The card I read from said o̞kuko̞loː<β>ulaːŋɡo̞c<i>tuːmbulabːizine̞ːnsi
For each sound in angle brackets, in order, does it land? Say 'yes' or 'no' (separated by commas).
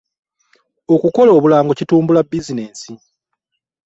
yes, yes